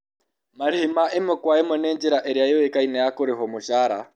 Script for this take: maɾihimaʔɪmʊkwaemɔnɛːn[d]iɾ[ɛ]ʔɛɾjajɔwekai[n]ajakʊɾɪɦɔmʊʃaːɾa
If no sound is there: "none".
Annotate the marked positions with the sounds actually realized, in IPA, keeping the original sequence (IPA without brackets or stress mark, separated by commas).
d͡ʒ, a, n